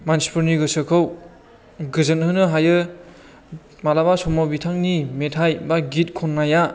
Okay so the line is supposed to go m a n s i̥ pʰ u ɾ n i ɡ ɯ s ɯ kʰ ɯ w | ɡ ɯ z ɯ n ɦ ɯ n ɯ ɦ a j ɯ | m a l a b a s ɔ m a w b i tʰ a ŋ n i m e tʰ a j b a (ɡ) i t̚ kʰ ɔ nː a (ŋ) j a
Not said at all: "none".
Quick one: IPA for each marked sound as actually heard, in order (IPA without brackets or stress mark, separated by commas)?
ɡ, none